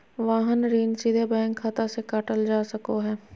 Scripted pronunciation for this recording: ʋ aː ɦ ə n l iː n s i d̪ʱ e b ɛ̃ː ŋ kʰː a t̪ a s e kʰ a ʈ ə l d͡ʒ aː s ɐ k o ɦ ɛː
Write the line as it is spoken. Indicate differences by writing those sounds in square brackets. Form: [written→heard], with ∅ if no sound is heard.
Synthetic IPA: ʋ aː ɦ ə n [l→ɾ] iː n s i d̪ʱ e b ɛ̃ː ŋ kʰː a t̪ a s e [kʰ→k] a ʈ ə l d͡ʒ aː s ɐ k o ɦ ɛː